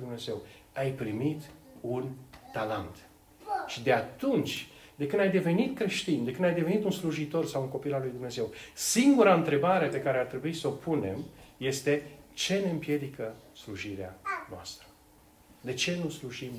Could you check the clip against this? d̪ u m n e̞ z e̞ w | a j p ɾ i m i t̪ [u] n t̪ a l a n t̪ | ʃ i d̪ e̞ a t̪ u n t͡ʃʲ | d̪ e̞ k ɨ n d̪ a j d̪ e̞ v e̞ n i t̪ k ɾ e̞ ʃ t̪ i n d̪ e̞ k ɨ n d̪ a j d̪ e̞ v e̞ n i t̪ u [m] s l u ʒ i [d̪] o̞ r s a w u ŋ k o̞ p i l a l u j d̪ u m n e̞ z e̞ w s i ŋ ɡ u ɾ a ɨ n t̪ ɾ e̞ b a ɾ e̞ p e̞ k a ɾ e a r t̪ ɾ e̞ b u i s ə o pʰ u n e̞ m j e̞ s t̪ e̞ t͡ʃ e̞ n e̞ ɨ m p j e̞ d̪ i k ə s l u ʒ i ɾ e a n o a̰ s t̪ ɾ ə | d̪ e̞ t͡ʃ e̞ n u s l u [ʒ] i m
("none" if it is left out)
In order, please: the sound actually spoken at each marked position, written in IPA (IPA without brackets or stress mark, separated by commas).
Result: u, n, t̪, ʒ